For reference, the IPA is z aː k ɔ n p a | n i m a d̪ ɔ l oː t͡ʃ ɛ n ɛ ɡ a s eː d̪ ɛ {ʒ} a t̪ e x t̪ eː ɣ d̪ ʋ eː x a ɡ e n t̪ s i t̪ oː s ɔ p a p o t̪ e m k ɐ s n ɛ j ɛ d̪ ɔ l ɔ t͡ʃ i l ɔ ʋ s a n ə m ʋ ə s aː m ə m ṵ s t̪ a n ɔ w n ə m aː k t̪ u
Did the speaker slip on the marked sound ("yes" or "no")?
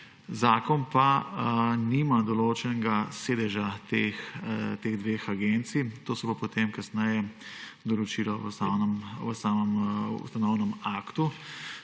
no